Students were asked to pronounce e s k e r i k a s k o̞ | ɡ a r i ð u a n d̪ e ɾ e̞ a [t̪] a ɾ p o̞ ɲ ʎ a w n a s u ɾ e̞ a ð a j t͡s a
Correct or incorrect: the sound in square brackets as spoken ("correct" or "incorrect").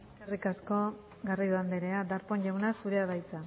incorrect